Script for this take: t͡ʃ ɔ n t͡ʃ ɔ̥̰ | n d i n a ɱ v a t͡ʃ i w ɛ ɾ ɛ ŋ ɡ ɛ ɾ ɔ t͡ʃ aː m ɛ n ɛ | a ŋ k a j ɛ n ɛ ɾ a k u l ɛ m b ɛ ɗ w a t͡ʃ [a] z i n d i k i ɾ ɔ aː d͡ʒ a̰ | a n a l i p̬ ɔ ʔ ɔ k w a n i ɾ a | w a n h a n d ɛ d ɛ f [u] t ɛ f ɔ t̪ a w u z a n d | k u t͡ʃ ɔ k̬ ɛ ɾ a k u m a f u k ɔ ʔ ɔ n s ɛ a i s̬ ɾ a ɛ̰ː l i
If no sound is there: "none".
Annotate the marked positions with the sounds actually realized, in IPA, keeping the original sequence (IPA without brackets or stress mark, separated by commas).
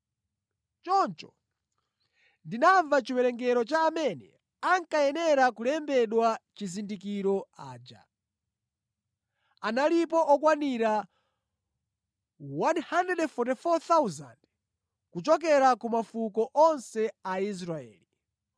i, ɔ